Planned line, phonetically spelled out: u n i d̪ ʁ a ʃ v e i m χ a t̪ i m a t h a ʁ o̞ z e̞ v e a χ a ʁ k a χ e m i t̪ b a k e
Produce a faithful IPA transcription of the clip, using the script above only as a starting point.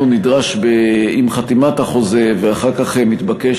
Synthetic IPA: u n i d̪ ʁ a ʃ b e i m χ a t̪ i m a t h a χ o̞ z e̞ v e a χ a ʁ k a χ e m i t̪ b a k e